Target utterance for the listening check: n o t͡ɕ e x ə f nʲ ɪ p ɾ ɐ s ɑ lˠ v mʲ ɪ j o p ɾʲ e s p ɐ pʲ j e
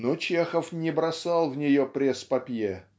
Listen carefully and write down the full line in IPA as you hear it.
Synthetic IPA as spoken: n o t͡ɕ e x ə f nʲ ɪ b ɾ ɐ s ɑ lˠ v nʲ ɪ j o p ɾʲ e s p ɐ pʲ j e